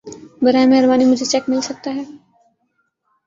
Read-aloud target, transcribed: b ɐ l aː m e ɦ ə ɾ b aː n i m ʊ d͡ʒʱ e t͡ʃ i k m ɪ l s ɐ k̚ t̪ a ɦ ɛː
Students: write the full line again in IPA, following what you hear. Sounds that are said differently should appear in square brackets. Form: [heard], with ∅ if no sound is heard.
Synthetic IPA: b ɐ [ɾ] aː m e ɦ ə ɾ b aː n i m ʊ d͡ʒʱ e t͡ʃ [ɛ] k m ɪ l s ɐ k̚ t̪ a ɦ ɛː